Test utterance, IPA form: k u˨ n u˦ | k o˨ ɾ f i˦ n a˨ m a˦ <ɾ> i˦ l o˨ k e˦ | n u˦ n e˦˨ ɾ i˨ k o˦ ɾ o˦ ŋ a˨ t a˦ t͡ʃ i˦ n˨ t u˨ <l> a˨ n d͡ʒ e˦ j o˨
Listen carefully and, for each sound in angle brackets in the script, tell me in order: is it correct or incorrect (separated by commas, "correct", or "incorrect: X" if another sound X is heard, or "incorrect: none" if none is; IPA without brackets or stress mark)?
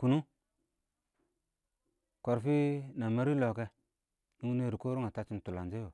correct, correct